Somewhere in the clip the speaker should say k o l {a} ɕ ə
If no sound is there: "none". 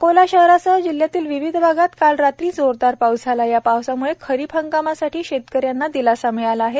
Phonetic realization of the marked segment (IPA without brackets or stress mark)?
a